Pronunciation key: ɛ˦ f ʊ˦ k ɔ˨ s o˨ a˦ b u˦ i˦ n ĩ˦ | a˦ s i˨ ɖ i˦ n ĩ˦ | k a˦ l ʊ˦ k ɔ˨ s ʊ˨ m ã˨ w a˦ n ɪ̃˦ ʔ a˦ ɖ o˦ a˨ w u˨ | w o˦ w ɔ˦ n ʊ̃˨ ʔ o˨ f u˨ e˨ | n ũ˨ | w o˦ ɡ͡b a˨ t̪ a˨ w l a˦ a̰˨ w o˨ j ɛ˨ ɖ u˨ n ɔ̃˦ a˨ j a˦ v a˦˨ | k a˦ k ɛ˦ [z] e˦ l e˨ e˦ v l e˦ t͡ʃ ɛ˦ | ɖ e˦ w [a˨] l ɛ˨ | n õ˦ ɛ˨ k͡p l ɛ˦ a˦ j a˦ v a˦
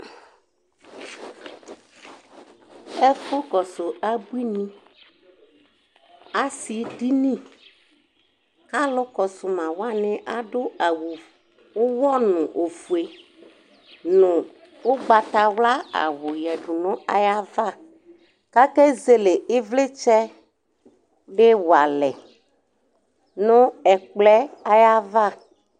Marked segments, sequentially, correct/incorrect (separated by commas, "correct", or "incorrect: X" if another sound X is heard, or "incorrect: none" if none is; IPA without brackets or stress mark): correct, correct